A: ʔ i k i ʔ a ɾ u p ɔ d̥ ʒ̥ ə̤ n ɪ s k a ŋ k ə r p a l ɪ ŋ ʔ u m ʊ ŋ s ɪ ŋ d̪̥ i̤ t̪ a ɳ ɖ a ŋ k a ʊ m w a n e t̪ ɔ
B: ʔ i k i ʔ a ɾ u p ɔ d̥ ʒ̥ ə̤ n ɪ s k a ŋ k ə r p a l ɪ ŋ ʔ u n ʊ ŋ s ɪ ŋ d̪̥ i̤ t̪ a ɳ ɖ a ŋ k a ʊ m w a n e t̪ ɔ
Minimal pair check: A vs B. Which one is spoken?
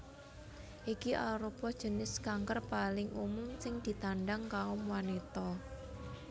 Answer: A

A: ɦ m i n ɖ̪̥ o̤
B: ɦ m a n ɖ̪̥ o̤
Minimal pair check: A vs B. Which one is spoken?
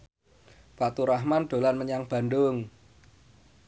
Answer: B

